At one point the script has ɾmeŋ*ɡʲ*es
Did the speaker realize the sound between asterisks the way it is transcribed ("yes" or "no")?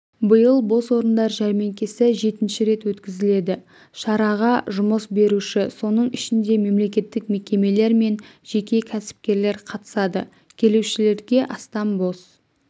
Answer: no